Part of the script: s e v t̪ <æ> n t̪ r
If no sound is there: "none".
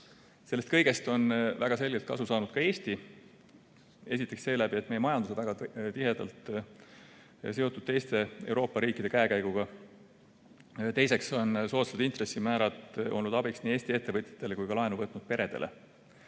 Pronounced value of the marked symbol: i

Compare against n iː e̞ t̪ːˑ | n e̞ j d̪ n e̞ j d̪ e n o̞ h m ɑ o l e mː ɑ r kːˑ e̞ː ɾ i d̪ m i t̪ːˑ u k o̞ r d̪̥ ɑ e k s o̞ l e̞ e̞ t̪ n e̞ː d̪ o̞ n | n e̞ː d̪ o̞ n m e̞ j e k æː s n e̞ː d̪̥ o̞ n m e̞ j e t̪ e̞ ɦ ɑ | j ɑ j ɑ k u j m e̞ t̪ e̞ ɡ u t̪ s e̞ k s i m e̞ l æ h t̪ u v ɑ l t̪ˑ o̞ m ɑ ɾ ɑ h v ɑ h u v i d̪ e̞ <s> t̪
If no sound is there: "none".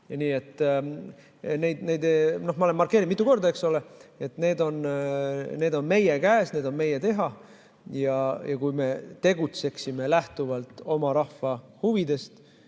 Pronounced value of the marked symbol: s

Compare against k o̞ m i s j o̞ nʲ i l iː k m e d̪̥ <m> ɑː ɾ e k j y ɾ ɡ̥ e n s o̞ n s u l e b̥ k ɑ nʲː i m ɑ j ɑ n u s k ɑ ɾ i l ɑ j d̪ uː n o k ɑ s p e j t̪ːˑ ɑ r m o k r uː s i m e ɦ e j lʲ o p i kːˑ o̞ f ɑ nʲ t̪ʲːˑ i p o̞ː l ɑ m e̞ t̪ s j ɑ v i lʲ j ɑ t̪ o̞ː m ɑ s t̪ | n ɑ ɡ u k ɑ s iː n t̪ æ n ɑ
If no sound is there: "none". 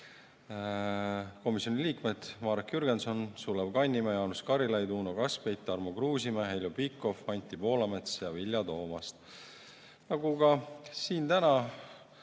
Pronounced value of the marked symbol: m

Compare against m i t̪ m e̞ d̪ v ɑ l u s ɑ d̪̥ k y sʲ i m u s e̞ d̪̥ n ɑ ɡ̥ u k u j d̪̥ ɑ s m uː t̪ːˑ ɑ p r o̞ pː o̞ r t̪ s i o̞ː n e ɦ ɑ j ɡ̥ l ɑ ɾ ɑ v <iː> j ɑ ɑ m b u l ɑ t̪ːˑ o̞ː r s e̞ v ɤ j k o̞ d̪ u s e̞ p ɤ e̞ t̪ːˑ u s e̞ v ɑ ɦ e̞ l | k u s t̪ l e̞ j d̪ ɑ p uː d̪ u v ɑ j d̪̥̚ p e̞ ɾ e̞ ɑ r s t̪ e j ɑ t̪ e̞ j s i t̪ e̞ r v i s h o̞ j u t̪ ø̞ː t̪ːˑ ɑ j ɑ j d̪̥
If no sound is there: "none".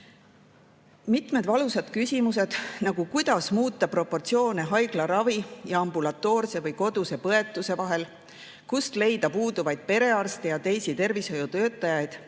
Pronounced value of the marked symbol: i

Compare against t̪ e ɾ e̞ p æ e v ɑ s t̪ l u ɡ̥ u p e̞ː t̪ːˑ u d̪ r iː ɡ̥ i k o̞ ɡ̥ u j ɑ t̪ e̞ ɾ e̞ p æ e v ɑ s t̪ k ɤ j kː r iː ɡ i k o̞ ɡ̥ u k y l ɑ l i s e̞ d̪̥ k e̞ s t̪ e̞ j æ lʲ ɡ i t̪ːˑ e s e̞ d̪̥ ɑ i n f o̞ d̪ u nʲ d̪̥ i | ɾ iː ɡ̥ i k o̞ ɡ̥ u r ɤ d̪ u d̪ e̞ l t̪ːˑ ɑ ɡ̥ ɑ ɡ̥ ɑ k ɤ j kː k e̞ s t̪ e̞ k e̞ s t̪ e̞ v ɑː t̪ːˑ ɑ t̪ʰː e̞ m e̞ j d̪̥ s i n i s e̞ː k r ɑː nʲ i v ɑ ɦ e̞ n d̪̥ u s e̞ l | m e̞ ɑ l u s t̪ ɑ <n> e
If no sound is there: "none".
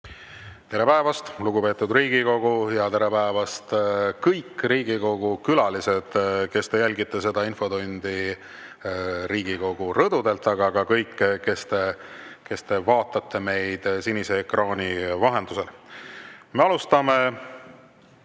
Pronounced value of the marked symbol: m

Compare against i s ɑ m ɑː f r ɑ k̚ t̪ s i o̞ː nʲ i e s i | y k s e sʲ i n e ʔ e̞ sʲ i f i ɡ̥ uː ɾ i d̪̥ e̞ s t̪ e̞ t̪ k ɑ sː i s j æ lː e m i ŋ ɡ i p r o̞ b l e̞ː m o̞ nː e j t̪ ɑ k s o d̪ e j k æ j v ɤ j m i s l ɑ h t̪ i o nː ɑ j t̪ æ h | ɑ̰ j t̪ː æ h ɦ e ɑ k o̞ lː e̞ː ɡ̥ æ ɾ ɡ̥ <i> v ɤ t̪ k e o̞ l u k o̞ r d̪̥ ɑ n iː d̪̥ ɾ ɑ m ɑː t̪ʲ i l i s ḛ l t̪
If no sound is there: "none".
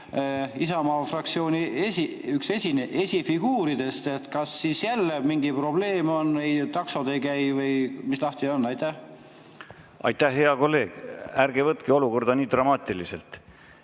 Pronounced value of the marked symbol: e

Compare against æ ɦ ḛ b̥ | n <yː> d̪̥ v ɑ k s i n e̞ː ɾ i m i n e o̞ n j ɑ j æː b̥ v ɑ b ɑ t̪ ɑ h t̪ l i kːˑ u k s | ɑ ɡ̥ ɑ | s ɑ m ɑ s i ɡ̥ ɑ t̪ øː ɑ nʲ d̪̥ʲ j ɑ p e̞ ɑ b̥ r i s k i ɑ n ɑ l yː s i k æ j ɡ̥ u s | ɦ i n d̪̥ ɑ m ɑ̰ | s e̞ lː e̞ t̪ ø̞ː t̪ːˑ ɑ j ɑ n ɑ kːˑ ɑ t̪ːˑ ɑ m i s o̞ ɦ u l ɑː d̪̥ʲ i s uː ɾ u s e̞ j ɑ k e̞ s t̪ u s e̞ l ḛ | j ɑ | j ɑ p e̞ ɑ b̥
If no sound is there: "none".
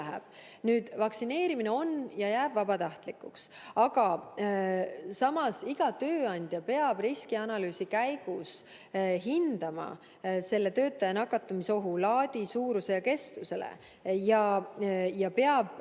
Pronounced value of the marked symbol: yː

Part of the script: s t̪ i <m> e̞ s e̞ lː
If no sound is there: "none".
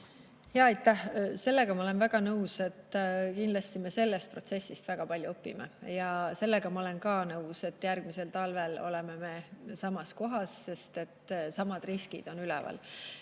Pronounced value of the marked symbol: m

